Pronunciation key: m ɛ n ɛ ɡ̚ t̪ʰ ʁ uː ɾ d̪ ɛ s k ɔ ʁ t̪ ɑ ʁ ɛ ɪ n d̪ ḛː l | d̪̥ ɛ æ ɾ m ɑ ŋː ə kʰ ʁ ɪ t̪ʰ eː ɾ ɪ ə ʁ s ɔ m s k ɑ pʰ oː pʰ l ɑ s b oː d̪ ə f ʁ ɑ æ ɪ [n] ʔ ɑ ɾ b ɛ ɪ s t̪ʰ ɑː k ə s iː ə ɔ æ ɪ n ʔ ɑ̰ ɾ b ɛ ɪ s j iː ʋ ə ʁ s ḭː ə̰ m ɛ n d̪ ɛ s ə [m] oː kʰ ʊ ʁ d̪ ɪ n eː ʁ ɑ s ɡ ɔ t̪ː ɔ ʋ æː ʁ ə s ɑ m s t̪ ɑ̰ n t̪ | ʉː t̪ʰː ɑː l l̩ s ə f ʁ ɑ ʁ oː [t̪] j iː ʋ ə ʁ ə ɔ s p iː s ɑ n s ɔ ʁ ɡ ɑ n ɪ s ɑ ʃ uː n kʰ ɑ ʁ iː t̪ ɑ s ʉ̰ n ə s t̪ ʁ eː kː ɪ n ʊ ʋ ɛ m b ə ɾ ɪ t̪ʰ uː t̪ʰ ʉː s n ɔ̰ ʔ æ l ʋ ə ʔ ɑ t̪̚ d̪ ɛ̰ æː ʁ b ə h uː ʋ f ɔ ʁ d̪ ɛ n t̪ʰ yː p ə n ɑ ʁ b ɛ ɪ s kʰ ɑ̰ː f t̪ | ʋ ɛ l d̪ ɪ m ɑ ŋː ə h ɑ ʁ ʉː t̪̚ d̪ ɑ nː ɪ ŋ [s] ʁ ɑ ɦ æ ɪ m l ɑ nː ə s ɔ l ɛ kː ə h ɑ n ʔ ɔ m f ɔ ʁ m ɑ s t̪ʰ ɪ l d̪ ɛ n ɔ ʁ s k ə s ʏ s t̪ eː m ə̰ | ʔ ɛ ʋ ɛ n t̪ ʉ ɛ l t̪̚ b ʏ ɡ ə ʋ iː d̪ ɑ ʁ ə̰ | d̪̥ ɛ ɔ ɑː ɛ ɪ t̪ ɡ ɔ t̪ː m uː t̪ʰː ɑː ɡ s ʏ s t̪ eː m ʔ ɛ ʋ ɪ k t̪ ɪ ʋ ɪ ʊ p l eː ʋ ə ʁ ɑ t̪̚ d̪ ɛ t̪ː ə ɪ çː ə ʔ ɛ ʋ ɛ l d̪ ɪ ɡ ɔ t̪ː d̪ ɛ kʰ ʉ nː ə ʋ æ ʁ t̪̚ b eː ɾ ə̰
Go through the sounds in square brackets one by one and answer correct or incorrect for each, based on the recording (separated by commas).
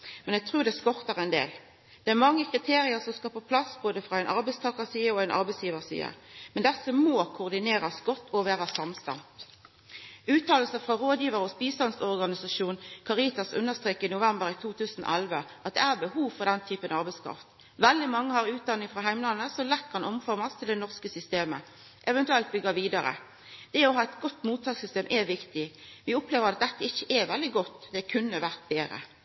correct, correct, incorrect, incorrect